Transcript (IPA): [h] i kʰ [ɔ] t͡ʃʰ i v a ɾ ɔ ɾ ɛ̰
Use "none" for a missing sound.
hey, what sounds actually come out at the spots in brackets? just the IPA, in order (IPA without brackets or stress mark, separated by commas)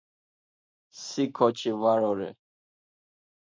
s, ɔ